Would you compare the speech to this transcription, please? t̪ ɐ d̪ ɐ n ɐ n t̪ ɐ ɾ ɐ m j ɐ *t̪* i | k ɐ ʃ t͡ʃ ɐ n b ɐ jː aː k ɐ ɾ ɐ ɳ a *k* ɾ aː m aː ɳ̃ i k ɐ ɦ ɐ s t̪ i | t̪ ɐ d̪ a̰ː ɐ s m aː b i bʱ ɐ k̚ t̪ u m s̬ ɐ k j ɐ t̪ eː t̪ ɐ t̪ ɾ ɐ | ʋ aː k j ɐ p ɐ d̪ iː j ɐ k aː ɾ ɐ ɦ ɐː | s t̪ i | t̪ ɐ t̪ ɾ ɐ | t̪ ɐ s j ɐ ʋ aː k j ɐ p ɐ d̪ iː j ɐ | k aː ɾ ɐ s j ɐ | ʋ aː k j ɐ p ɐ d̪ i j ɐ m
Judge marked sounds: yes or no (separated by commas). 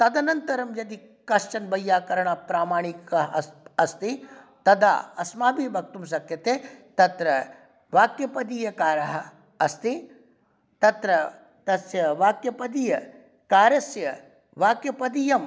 no, no